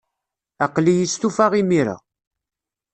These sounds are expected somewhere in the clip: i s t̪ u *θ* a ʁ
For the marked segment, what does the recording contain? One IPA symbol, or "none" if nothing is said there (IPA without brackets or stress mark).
f